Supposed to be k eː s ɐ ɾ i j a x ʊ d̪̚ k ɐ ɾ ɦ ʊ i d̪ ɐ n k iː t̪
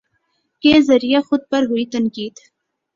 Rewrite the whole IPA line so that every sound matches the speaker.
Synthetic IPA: k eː z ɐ ɾ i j a x ʊ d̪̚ p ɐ ɾ ɦ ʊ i t̪ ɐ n k iː d̪